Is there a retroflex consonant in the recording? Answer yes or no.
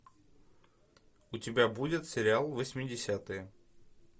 no